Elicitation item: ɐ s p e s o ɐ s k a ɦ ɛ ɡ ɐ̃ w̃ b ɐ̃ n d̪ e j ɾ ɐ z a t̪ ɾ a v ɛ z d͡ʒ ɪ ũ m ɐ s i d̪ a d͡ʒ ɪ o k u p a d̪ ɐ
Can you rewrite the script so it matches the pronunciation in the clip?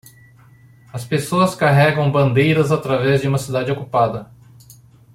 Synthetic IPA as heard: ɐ s p e s o ɐ s k a ɦ ɛ ɡ ɐ̃ w̃ b ɐ̃ n d̪ e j ɾ ɐ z a t̪ ɾ a v ɛ z d͡ʒ ɪ ũ m ɐ s i d̪ a d͡ʒ ɪ o k u p a d̪ ɐ